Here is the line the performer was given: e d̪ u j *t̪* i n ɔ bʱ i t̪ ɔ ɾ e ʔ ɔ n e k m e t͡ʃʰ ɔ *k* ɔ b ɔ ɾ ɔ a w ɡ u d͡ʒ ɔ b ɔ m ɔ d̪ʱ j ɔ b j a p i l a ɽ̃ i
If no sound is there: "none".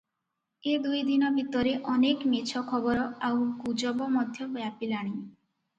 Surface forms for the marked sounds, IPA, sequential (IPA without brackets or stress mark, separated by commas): d̪, kʰ